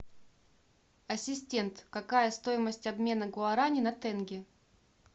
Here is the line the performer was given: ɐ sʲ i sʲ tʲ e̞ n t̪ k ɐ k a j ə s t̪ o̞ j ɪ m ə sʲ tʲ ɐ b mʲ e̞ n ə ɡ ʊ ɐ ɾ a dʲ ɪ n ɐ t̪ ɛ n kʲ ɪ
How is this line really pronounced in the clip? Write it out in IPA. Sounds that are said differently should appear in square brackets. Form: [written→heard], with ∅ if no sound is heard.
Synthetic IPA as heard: ɐ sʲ [i→ɪ] sʲ tʲ e̞ n t̪ k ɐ k a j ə s t̪ o̞ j ɪ m ə sʲ tʲ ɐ b mʲ e̞ n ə ɡ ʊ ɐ ɾ a [dʲ→nʲ] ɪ n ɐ t̪ ɛ n [kʲ→ɡʲ] ɪ

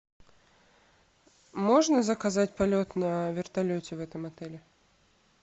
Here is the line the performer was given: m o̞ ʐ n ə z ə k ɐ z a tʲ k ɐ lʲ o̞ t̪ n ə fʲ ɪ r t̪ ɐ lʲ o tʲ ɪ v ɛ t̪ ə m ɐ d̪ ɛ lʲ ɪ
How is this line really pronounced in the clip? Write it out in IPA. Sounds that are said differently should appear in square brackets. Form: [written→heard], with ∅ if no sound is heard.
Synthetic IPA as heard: m o̞ ʐ n ə z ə k ɐ z a tʲ [k→p] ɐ lʲ o̞ t̪ n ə [fʲ→vʲ] ɪ r t̪ ɐ lʲ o tʲ ɪ v ɛ t̪ ə m ɐ [d̪→t̪] ɛ lʲ ɪ

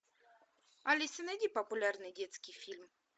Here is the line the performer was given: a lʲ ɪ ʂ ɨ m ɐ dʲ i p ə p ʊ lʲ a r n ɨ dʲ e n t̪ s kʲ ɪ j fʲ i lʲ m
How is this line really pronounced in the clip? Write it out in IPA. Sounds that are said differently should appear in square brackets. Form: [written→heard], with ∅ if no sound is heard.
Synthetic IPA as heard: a lʲ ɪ [ʂ→s] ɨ [m→n] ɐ dʲ i p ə p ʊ lʲ a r n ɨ dʲ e [n→∅] t̪ s kʲ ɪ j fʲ i lʲ m

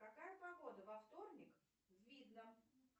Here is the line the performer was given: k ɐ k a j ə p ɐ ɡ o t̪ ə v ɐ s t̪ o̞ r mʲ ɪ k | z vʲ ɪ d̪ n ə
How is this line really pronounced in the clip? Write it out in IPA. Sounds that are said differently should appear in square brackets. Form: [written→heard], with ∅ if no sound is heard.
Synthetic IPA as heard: k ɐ k a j ə p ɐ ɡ o [t̪→d̪] ə v ɐ [s→f] t̪ o̞ r [mʲ→nʲ] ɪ k | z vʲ [ɪ→i] d̪ n ə

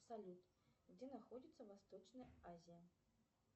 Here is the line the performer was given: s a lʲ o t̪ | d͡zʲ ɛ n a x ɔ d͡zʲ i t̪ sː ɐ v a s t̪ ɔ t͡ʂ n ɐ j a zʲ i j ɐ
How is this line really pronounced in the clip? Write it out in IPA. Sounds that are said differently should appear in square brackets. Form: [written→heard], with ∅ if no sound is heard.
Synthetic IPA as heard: s a lʲ [o→u] t̪ | d͡zʲ ɛ n a x ɔ d͡zʲ i t̪ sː ɐ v a s t̪ ɔ t͡ʂ n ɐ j a zʲ i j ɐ

